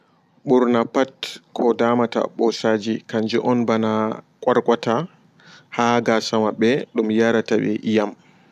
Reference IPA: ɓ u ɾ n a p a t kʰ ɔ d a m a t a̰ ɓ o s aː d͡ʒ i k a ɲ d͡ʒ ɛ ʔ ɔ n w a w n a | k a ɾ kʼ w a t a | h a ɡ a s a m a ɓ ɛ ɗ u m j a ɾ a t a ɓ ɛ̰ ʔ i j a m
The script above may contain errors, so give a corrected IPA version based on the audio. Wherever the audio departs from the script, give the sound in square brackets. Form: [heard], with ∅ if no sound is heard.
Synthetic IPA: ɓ u ɾ n a p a t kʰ ɔ d a m a t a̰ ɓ [ɔ] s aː d͡ʒ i k a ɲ d͡ʒ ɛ ʔ ɔ n [b] a [∅] n a | [kʼ] a ɾ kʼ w a t a | h a ɡ a s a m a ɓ ɛ ɗ u m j a ɾ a t a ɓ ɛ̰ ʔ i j a m

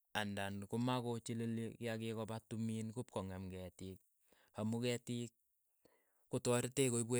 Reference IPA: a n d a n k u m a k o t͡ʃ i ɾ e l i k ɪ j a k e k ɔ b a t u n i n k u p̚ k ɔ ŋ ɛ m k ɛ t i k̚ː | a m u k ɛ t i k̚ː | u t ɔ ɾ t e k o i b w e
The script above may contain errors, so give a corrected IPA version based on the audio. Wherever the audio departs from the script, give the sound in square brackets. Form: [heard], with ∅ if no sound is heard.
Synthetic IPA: a n d a n k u m a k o t͡ʃ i [l] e l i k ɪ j a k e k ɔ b a t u [m] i n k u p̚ k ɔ ŋ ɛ m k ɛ t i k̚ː | a m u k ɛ t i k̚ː | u t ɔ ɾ t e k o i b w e

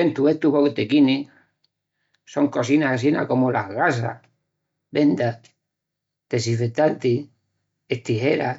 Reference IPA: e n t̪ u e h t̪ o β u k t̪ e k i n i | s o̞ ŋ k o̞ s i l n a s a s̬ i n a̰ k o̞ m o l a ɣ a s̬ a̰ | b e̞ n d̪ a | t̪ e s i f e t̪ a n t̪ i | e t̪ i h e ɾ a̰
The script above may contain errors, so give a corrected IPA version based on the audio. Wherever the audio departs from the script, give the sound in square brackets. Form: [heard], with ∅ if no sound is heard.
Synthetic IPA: e n t̪ u e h t̪ [u] β [o] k t̪ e k i n i | s o̞ ŋ k o̞ s i [∅] n a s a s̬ i n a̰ k o̞ m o l a ɣ a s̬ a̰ | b e̞ n d̪ a | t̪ e s i f e t̪ a n t̪ i | e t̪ i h e ɾ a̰

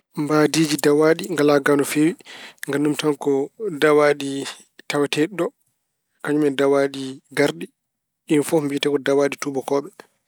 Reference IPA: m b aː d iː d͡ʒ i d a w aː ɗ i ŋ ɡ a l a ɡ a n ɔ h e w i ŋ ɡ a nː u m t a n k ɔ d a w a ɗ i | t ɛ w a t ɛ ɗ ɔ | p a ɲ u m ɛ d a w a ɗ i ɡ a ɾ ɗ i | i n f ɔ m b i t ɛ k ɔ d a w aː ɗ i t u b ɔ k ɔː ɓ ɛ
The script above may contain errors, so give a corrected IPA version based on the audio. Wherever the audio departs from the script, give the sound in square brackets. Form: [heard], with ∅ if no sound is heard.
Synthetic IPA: m b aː d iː d͡ʒ i d a w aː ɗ i ŋ ɡ a l a ɡ a n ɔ [f] e w i ŋ ɡ a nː u m t a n k ɔ d a w a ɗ i | t [a] w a t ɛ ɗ ɔ | [k] a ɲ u m ɛ d a w a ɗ i ɡ a ɾ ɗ i | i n f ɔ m b i t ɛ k ɔ d a w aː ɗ i t u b ɔ k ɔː ɓ ɛ

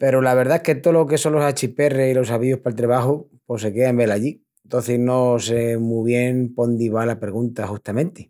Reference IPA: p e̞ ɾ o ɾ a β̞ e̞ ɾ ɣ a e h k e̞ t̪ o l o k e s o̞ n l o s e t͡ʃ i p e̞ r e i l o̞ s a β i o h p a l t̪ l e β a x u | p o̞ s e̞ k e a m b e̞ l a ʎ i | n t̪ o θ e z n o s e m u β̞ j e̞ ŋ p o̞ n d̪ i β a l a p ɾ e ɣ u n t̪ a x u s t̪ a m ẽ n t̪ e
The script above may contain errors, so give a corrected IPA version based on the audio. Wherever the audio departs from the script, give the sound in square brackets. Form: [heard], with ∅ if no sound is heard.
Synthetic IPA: p e̞ ɾ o [l] a β̞ e̞ ɾ [ð] a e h k e̞ t̪ o l o k e s o̞ n l o s [a] t͡ʃ i p e̞ r e i l o̞ s a β i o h p a l t̪ [ɾ] e β a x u | p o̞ s e̞ k e a m b e̞ l a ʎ i | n t̪ o θ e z n o s e m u β̞ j e̞ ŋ p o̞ n d̪ i β a l a p ɾ e ɣ u n t̪ a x u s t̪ a m ẽ n t̪ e

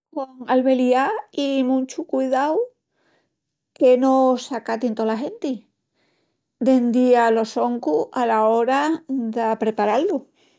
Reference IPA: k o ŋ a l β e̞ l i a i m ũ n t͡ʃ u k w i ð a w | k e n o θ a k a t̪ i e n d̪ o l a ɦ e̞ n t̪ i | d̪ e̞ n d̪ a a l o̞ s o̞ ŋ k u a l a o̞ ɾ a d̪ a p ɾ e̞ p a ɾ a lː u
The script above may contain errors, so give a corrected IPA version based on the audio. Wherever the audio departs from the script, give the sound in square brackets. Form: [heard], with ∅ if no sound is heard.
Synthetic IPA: k o ŋ a l β e̞ l i a i m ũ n t͡ʃ u k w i ð a w | k e n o [s] a k a t̪ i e n [t̪] o l a ɦ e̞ n t̪ i | d̪ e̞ n d̪ [i] a l o̞ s o̞ ŋ k u a l a o̞ ɾ a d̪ a p ɾ e̞ p a ɾ a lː u

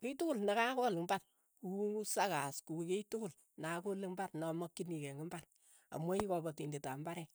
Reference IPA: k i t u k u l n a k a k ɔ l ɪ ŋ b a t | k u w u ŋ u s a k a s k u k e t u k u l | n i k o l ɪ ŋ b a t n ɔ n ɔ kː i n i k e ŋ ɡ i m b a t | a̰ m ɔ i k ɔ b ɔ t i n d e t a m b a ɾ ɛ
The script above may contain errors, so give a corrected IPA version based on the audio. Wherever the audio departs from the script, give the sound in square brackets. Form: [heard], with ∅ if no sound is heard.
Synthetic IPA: k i t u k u l n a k a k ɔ l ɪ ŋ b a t | k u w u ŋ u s a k a s k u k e t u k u l | n [a] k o l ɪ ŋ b a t n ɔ [m] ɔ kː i n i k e ŋ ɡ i m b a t | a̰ m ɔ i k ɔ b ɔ t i n d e t a m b a ɾ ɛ

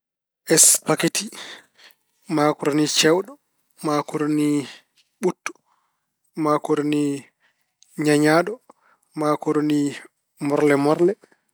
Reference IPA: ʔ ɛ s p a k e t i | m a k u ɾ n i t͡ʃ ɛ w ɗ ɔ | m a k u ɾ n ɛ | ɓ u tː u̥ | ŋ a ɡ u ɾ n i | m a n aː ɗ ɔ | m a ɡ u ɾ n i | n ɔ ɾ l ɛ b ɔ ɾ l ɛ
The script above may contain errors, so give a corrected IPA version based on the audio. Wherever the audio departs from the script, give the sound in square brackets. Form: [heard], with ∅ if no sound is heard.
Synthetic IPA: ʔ ɛ s p a k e t i | m a k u ɾ n i t͡ʃ ɛ w ɗ ɔ | m a k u ɾ n [i] | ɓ u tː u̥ | [m] a [k] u ɾ n i | [ɲ] a [ɲ] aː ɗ ɔ | m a [k] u ɾ n i | [m] ɔ ɾ l ɛ [m] ɔ ɾ l ɛ

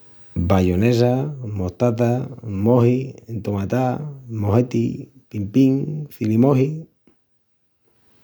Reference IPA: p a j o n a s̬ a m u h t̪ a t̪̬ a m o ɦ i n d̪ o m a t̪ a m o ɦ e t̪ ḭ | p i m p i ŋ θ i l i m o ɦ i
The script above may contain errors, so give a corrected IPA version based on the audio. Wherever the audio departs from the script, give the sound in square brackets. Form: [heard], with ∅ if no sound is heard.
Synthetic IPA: [b] a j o n [e] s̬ a m [o] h t̪ a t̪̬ a m o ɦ i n [t̪] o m a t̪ a m o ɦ e t̪ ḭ | p i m p i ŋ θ i l i m o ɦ i

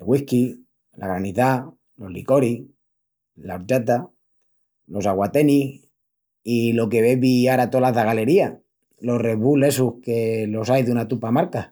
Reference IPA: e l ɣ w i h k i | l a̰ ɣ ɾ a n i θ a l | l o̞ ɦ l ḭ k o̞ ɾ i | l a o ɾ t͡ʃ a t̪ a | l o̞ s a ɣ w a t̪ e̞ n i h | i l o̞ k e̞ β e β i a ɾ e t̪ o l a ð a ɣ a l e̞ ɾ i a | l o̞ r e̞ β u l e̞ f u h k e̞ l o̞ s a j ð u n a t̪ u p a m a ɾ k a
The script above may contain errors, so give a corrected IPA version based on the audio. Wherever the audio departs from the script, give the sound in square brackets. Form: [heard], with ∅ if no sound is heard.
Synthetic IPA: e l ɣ w i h k i | l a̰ ɣ ɾ a n i θ a [∅] | l o̞ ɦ l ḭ k o̞ ɾ i | l a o ɾ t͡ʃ a t̪ a | l o̞ s a ɣ w a t̪ e̞ n i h | i l o̞ k e̞ β e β i a ɾ [a] t̪ o l a ð a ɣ a l e̞ ɾ i a | l o̞ r e̞ β u l e̞ [s] u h k e̞ l o̞ s a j ð u n a t̪ u p a m a ɾ k a

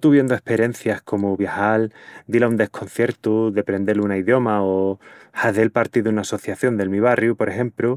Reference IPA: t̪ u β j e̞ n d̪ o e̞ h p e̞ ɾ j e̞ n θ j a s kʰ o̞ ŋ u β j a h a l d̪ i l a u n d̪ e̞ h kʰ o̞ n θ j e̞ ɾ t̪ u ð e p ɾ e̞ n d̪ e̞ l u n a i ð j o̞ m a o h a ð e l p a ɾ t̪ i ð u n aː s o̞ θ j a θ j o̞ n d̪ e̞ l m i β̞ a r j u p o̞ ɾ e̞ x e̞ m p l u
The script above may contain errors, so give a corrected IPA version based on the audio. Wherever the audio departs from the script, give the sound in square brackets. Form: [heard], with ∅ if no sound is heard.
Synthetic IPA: t̪ u β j e̞ n d̪ o e̞ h p e̞ ɾ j e̞ n θ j a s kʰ o̞ [m] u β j a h a l d̪ i l a u n d̪ e̞ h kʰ o̞ n θ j e̞ ɾ t̪ u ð e p ɾ e̞ n d̪ e̞ l u n a i ð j o̞ m a o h a ð e l p a ɾ t̪ i ð u n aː s o̞ θ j a θ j o̞ n d̪ e̞ l m i β̞ a r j u p o̞ ɾ e̞ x e̞ m p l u

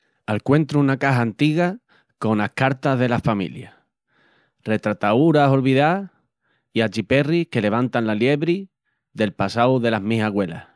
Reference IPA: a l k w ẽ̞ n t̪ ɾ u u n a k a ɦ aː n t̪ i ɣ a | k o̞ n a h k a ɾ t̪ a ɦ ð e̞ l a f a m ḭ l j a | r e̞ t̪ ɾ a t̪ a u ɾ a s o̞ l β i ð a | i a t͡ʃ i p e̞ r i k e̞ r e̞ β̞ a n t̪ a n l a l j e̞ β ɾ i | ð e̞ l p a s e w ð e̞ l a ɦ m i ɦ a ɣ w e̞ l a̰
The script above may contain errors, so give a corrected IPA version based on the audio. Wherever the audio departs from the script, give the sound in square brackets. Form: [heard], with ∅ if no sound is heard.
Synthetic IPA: a l k w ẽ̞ n t̪ ɾ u u n a k a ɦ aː n t̪ i ɣ a | k o̞ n a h k a ɾ t̪ a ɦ ð e̞ l a f a m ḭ l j a | r e̞ t̪ ɾ a t̪ a u ɾ a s o̞ l β i ð a | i a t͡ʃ i p e̞ r i k e̞ [l] e̞ β̞ a n t̪ a n l a l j e̞ β ɾ i | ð e̞ l p a s [a] w ð e̞ l a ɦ m i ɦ a ɣ w e̞ l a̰

